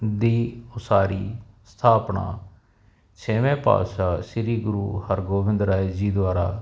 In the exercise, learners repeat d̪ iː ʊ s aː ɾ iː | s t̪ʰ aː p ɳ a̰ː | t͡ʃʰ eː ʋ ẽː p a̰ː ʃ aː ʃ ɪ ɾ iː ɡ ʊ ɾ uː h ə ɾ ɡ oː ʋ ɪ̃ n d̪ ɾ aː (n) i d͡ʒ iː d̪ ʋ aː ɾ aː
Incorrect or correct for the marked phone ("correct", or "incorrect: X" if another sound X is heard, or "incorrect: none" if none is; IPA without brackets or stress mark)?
incorrect: none